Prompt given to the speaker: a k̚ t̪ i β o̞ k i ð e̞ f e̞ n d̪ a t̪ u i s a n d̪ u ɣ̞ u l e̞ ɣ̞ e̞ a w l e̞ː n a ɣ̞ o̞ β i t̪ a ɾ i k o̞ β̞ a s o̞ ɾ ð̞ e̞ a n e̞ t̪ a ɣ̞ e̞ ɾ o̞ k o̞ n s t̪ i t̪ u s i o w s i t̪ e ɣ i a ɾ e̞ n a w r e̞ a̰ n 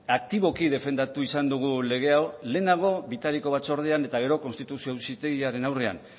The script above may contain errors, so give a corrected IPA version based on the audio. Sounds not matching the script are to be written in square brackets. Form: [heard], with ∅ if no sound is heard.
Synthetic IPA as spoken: a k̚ t̪ i β o̞ k i ð e̞ f e̞ n d̪ a t̪ u i s a n d̪ u ɣ̞ u l e̞ ɣ̞ e̞ a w l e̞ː n a ɣ̞ o̞ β i t̪ a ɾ i k o̞ β̞ a [t͡s] o̞ ɾ ð̞ e̞ a n e̞ t̪ a ɣ̞ e̞ ɾ o̞ k o̞ n s t̪ i t̪ u s i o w s i t̪ e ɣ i a ɾ e̞ n a w r e̞ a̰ n